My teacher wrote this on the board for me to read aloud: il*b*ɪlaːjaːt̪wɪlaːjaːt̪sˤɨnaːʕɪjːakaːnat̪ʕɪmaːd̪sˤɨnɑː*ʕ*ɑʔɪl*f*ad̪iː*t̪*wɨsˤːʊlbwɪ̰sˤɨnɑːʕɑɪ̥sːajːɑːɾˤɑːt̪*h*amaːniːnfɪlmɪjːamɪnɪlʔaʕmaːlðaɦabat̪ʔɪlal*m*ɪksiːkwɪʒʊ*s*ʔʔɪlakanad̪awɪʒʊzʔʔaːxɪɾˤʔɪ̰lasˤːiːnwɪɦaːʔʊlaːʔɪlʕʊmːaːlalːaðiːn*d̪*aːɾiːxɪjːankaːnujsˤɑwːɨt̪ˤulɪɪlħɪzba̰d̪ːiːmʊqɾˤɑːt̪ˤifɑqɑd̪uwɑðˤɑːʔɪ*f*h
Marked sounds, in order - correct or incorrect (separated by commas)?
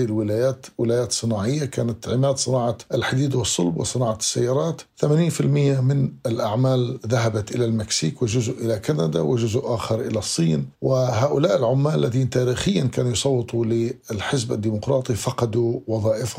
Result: incorrect, correct, incorrect, incorrect, incorrect, correct, incorrect, incorrect, correct